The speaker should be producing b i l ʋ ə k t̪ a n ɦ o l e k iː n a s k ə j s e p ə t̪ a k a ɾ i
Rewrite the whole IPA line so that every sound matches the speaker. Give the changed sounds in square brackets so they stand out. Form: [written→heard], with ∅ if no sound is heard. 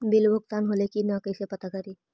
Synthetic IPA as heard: b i l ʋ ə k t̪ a n ɦ o l e k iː n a [s→∅] k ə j s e p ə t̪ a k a ɾ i